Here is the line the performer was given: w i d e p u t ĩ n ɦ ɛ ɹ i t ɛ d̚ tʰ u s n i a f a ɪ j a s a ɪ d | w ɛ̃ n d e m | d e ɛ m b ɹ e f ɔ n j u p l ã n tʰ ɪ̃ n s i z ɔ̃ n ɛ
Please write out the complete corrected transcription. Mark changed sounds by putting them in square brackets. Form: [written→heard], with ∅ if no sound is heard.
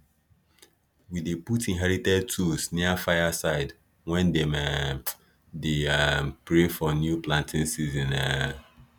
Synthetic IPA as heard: w i d e p u t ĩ n ɦ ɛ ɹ i t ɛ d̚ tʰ u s n i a f a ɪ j a s a ɪ d | w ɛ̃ n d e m | d e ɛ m [b→p] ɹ e f ɔ n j u p l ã n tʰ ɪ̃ n s i z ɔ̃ n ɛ

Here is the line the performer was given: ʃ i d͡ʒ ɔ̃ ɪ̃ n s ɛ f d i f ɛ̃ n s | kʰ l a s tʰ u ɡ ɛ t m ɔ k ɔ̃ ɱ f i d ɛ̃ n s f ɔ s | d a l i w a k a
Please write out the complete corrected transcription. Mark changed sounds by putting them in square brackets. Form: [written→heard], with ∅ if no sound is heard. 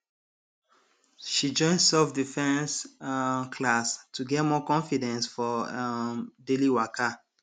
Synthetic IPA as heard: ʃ i d͡ʒ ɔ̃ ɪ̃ n s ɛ f d i f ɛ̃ n s | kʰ l a s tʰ u ɡ ɛ t m ɔ k ɔ̃ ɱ f i d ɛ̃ n s f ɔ [s→∅] | d [a→e] l i w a k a

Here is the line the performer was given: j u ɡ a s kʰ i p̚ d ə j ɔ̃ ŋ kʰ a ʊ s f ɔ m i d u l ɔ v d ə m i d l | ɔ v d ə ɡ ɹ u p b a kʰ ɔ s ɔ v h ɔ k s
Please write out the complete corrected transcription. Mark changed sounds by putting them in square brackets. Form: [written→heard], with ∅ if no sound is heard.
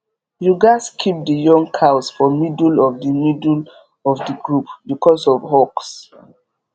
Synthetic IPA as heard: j u ɡ a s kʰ i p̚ d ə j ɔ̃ ŋ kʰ a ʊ s f ɔ m i d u l ɔ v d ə m i d l | ɔ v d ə ɡ ɹ u p b [a→i] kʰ ɔ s ɔ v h ɔ k s

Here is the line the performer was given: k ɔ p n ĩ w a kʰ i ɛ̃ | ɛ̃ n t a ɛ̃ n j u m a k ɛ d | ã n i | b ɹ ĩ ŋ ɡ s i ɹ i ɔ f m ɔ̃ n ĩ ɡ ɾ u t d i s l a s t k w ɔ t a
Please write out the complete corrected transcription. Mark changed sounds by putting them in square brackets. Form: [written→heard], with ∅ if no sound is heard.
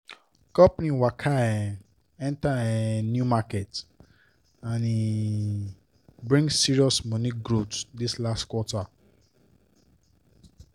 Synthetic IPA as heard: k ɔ p n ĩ w a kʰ [i→a] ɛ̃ | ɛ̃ n t a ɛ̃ n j u m a k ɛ [d→t] | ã n i | b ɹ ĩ ŋ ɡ s i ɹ i ɔ [f→s] m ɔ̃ n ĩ ɡ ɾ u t d i s l a s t k w ɔ t a

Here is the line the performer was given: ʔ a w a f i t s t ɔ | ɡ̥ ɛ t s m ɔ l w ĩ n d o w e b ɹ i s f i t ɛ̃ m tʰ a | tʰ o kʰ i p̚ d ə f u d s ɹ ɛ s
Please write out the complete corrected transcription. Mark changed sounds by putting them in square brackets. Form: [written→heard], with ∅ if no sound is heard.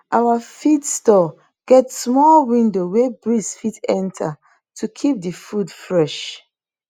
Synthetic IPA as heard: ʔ a w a f i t s t ɔ | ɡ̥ ɛ t s m ɔ l w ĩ n d o w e b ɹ i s f i t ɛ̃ [m→n] tʰ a | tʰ [o→u] kʰ i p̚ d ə f u d [s→f] ɹ ɛ [s→ʃ]

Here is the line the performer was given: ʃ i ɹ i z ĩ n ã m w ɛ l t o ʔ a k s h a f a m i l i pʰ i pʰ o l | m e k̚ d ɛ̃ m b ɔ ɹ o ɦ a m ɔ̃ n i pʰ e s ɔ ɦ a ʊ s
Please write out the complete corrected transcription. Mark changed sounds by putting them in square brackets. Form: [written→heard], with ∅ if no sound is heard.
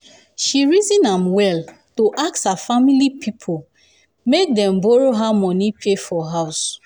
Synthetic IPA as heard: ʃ i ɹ i z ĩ n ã m w ɛ l t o ʔ a k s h a f a m i l i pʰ i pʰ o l | m e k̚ d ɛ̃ m b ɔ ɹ o ɦ a m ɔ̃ n i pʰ e [s→f] ɔ ɦ a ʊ s

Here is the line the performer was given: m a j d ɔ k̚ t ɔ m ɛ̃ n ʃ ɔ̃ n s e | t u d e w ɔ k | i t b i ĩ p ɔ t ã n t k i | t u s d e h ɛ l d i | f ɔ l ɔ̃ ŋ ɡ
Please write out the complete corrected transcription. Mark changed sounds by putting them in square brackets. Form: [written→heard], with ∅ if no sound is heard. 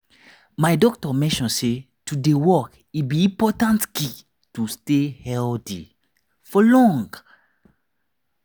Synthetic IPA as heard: m a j d ɔ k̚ t ɔ m ɛ̃ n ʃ ɔ̃ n s e | t u d e w ɔ k | i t b i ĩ p ɔ t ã n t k i | t u s [d→t] e h ɛ l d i | f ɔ l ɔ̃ ŋ ɡ

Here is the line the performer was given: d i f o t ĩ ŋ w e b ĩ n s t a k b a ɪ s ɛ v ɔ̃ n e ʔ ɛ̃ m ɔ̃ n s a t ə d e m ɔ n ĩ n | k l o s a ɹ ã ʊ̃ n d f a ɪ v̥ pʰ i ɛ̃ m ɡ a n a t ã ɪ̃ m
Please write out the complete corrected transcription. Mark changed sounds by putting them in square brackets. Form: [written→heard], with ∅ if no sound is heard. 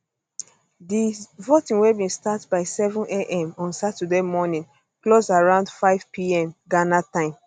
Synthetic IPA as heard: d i [f→v] o t ĩ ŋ w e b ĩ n s t a [k→t] b a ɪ s ɛ v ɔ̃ n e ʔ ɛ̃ m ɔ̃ n s a t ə d e m ɔ n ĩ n | k l o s a ɹ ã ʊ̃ n d f a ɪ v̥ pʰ i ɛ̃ m ɡ a n a t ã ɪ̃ m

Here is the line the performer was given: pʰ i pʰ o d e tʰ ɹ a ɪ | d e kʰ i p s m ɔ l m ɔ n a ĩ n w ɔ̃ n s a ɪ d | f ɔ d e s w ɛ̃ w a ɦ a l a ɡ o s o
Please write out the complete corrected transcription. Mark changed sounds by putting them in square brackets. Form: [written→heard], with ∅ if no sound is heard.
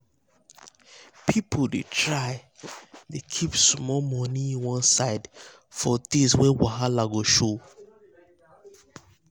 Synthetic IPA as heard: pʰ i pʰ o d e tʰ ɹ a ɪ | d e kʰ i p s m ɔ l m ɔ n [a→i] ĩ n w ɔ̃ n s a ɪ d | f ɔ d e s w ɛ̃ w a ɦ a l a ɡ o [s→ʃ] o

